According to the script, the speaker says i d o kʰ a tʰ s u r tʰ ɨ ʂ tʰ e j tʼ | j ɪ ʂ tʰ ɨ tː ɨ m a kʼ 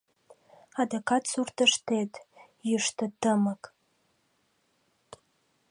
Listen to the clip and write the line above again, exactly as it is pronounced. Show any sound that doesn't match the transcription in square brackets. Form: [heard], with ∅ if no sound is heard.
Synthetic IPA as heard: [a] d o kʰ a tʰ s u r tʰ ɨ ʂ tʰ e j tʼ | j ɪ ʂ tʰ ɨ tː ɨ m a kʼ